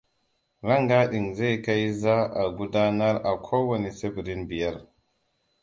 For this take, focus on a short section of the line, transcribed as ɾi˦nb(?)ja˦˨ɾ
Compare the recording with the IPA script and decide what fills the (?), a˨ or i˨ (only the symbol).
i˨